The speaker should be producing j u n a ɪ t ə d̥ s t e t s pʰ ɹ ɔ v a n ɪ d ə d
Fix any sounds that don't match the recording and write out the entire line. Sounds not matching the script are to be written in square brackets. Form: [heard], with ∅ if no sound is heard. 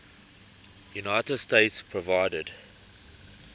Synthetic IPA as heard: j u n a ɪ t ə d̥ s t e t s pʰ ɹ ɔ v a [∅] ɪ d ə d